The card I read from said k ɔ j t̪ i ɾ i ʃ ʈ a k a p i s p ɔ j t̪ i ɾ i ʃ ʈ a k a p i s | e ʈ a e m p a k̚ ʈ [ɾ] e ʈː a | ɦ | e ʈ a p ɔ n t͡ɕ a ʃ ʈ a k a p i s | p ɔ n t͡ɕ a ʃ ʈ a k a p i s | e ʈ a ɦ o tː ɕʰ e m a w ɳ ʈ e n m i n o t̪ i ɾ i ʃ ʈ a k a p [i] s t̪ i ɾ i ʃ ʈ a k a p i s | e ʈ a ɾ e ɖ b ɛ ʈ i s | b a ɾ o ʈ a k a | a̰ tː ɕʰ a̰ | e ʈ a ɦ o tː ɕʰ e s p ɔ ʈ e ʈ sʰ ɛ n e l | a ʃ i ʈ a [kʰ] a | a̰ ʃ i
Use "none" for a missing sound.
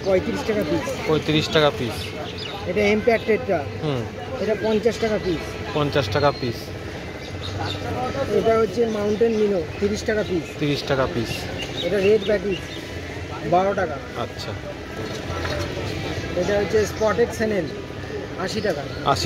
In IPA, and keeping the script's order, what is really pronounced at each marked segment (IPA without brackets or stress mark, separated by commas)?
ɾ, i, k